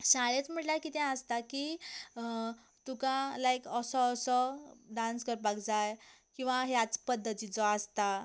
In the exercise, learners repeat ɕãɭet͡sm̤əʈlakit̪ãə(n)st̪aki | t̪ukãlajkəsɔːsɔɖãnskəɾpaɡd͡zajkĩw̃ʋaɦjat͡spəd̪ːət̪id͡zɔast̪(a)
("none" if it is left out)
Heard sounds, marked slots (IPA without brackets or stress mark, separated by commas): none, a